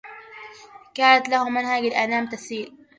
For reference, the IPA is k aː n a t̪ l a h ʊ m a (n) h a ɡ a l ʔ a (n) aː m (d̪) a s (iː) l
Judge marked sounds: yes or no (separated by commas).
yes, yes, no, yes